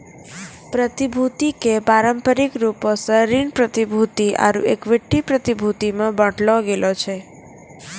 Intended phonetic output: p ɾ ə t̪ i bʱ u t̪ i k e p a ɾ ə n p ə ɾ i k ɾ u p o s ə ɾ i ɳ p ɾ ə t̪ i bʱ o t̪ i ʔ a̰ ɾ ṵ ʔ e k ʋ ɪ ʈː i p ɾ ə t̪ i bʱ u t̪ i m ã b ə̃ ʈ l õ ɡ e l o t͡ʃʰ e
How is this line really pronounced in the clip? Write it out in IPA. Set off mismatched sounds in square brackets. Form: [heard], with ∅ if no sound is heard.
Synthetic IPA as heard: p ɾ ə t̪ i bʱ u t̪ i k e p a ɾ ə [m] p ə ɾ i k ɾ u p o s ə ɾ i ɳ p ɾ ə t̪ i bʱ [u] t̪ i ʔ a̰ ɾ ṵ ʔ e k ʋ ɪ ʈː i p ɾ ə t̪ i bʱ u t̪ i m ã b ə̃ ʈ l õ ɡ e l o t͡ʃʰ e